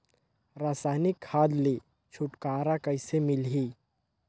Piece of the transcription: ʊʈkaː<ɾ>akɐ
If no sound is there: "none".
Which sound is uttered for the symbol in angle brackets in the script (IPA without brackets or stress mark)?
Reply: ɾ